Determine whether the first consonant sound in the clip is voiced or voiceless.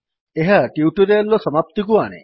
voiced